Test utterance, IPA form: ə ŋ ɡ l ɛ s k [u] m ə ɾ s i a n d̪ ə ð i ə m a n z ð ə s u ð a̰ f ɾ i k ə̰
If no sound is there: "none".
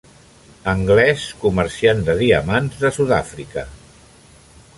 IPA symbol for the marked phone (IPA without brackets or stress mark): u